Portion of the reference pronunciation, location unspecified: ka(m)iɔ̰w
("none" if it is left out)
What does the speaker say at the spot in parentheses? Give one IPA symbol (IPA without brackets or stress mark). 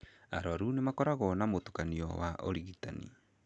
n